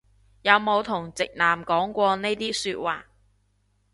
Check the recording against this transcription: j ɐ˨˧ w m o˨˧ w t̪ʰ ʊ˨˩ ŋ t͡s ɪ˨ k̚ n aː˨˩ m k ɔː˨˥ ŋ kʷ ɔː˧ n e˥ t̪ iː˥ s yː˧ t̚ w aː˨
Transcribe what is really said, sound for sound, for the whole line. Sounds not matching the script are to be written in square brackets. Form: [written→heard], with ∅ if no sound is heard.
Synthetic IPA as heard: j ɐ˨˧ w m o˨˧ w t̪ʰ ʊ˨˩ ŋ t͡s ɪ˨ k̚ n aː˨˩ m k ɔː˨˥ ŋ kʷ ɔː˧ n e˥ t̪ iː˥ s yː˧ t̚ w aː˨